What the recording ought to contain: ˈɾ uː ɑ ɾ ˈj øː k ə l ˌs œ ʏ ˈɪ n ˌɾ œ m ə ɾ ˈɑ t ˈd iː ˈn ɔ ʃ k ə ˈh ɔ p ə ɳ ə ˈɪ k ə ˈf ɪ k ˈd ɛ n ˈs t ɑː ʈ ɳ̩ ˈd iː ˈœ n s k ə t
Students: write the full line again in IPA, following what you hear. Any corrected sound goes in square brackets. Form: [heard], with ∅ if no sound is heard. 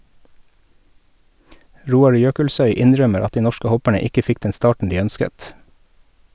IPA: ˈɾ uː ɑ ɾ ˈj øː k ə l ˌs œ ʏ ˈɪ n ˌɾ œ m ə ɾ ˈɑ t ˈd iː ˈn ɔ ʃ k ə ˈh ɔ p ə ɳ ə ˈɪ k ə ˈf ɪ k ˈd ɛ n ˈs t ɑː ʈ ɳ̩ ˈd iː ˈœ n s k ə t